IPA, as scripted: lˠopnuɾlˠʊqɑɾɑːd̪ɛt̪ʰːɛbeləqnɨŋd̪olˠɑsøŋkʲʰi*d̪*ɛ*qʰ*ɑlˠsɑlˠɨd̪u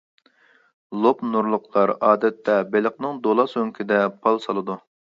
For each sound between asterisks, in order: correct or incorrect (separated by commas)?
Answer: correct, incorrect